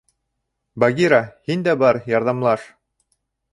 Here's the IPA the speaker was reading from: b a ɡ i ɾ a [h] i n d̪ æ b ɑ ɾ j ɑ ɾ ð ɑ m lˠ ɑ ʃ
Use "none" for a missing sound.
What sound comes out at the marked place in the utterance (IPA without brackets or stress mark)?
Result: h